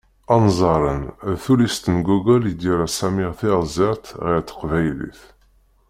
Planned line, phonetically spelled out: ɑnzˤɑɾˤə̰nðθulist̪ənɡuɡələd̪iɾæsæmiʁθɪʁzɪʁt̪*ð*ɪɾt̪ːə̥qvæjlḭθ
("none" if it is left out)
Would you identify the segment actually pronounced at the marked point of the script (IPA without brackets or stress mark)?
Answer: ʁ